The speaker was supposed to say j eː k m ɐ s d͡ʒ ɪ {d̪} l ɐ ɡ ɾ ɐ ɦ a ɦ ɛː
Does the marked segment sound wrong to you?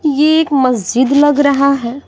no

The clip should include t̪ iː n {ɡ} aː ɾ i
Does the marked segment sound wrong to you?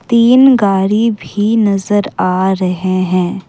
no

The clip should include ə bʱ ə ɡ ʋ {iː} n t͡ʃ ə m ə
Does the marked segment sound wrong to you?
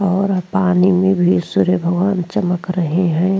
yes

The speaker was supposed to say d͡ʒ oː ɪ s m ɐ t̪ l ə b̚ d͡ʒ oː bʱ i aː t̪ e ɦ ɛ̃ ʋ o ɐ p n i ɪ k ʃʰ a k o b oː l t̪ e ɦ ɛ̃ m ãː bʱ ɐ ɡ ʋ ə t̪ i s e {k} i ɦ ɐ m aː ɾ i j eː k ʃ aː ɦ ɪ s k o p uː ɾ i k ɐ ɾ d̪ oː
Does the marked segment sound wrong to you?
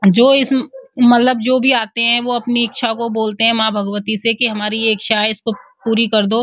no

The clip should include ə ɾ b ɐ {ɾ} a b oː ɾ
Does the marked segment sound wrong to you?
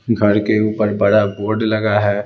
yes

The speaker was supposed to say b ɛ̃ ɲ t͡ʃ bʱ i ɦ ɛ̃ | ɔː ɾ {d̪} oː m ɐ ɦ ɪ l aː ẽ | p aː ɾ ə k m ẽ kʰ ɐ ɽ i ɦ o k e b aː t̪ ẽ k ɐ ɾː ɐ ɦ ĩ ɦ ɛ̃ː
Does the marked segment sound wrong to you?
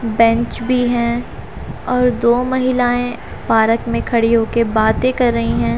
no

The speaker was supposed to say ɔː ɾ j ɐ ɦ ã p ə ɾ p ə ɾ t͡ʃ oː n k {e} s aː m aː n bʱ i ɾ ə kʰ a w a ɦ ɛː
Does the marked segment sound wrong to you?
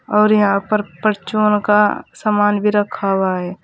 yes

